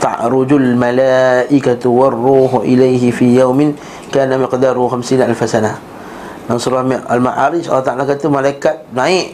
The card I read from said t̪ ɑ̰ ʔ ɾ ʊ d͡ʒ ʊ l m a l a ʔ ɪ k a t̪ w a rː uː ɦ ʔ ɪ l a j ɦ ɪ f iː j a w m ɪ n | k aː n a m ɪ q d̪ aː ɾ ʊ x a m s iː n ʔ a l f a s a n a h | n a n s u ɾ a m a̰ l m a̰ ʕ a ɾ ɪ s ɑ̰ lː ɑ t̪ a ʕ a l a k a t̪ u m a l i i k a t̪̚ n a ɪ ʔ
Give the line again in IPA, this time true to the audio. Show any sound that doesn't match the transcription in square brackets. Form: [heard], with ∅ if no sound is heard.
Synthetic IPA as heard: t̪ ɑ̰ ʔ ɾ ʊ d͡ʒ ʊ l m a l a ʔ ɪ k a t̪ w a rː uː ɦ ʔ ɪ l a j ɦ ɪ f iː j a w m ɪ n | k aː n a m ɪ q d̪ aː ɾ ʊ x a m s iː n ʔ a l f a s a n a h | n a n s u ɾ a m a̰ l m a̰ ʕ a ɾ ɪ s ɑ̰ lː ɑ t̪ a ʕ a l a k a t̪ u m a l [a] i k a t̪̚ n a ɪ ʔ